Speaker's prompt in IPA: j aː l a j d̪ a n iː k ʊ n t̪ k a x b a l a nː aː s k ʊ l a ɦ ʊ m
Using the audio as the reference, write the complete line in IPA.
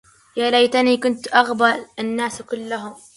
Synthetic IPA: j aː l a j t̪ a n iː k ʊ n t̪ ʔ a ɣ b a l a nː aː s k ʊ lː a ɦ ʊ m